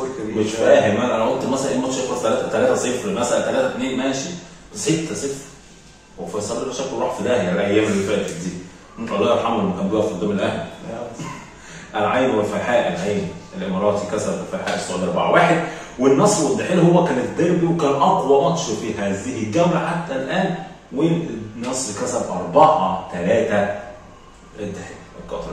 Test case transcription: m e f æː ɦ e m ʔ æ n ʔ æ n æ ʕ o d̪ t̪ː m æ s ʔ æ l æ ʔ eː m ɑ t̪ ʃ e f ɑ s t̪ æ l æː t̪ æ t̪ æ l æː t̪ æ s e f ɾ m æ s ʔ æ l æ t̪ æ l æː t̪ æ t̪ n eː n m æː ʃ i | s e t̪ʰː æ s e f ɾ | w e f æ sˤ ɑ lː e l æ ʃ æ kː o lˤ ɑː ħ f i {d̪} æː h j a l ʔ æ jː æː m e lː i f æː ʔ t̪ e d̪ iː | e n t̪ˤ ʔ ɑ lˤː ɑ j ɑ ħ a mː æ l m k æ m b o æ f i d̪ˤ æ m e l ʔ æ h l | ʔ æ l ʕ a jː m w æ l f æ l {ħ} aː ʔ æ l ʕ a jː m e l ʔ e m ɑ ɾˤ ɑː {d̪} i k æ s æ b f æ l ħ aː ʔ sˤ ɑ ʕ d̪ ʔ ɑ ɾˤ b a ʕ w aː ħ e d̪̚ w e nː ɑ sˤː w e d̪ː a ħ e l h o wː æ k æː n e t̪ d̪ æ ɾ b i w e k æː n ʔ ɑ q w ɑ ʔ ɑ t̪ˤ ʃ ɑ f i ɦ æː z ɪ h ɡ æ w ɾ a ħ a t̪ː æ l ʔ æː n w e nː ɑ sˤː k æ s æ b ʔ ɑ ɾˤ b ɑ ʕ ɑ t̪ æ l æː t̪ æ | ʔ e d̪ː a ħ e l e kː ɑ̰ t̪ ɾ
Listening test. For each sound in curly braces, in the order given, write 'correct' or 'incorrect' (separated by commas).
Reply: correct, correct, incorrect